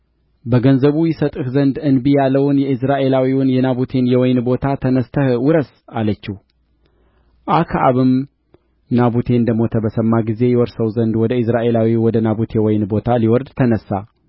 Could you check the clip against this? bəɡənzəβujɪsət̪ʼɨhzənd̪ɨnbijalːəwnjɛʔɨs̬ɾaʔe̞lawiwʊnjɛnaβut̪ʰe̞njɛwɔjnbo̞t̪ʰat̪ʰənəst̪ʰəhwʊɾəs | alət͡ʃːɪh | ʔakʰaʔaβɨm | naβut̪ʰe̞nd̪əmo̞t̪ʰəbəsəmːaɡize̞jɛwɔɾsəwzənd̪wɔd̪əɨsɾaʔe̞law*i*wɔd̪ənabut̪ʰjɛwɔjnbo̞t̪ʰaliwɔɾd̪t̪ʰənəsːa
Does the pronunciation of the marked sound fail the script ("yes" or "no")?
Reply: no